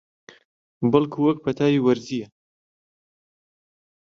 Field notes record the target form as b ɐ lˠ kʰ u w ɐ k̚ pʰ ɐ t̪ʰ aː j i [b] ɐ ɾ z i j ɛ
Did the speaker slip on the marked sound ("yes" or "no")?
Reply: yes